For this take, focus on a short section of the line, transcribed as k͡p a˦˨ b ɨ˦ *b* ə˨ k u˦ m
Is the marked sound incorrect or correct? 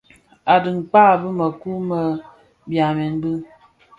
incorrect